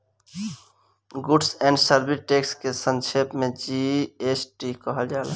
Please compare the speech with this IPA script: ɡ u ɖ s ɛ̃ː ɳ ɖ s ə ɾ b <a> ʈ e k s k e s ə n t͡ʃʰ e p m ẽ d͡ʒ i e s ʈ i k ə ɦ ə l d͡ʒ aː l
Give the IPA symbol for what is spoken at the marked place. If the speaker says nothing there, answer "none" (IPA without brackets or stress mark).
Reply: i